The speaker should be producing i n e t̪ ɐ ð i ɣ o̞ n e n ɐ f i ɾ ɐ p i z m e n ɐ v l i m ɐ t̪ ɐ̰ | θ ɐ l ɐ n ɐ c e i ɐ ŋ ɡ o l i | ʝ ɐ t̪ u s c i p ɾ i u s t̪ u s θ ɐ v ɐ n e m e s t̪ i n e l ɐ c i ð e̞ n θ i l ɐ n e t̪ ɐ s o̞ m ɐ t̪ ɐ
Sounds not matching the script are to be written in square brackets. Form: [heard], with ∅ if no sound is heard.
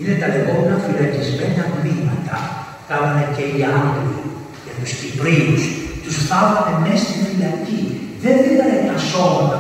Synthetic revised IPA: i n e t̪ ɐ ð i ɣ o̞ [m] e n ɐ f i [l] ɐ [c] i z m e n ɐ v l i m ɐ t̪ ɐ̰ | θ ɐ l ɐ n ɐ c e i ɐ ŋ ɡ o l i | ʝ ɐ t̪ u s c i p ɾ i u s t̪ u s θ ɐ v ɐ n e m e s t̪ i n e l ɐ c i ð e̞ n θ i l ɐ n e t̪ ɐ s o̞ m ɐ t̪ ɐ